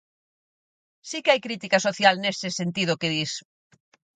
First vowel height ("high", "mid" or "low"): high